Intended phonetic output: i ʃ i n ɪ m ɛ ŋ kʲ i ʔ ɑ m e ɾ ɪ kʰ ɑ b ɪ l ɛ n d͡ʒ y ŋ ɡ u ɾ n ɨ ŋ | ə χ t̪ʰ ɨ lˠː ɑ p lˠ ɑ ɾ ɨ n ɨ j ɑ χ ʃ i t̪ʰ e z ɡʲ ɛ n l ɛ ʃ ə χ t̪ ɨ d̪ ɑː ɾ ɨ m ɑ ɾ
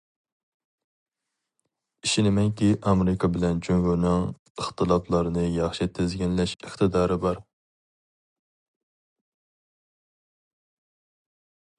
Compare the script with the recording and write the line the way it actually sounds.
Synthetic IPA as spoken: i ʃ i n ɪ m ɛ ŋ kʲ i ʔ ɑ m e ɾ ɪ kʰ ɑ b ɪ l ɛ n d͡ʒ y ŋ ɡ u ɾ n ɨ ŋ | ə χ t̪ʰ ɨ lˠ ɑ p lˠ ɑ ɾ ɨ n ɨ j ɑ χ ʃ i t̪ʰ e z ɡʲ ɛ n l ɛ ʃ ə χ t̪ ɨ d̪ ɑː ɾ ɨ b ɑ ɾ